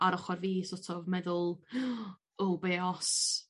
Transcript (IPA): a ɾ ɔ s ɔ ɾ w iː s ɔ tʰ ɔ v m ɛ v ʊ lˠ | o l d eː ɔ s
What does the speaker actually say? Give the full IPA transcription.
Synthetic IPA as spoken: a ɾ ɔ χ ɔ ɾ v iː s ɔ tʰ ɔ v m ɛ ð ʊ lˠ | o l b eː ɔ s